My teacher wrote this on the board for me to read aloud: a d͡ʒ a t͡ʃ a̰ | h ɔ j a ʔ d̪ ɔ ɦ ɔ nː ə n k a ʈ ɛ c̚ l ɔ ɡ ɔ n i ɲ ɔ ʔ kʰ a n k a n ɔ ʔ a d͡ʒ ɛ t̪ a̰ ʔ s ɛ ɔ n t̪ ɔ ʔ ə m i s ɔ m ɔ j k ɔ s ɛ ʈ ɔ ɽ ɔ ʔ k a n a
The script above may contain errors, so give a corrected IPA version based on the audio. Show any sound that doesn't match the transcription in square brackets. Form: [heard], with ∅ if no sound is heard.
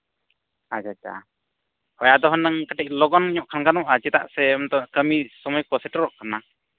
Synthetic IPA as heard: a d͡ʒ a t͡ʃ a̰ | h ɔ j a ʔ d̪ ɔ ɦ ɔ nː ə [ŋ] k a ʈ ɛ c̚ l ɔ ɡ ɔ n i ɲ ɔ ʔ kʰ a n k a n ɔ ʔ a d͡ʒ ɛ t̪ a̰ ʔ s ɛ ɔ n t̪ ɔ [k] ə m i s ɔ m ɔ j k ɔ s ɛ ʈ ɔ [ɾ] ɔ ʔ k a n a